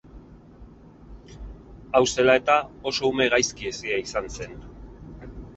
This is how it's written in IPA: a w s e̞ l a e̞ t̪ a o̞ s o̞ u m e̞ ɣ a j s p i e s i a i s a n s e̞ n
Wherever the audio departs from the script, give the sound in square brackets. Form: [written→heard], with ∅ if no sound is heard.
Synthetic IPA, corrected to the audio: a w s e̞ l a e̞ t̪ a o̞ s o̞ u m e̞ ɣ a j s [p→k] i e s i a i s a n s e̞ n